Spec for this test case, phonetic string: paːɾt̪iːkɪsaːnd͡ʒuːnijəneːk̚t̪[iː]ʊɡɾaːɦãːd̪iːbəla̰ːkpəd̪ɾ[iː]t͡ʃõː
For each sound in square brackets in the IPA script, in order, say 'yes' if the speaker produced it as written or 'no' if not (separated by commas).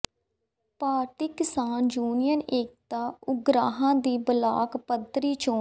no, yes